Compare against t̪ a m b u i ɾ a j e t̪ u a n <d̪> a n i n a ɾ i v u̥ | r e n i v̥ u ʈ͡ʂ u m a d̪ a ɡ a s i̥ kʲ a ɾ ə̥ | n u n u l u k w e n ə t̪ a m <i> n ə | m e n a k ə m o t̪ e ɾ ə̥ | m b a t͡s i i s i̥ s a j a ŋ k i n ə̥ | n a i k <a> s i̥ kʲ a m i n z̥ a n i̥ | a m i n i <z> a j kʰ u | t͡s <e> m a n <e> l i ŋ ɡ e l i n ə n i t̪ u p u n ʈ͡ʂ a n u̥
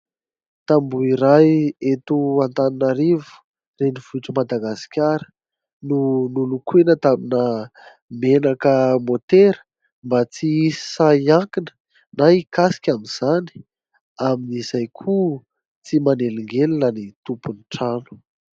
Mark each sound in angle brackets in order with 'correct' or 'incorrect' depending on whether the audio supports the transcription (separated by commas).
incorrect, correct, correct, correct, incorrect, correct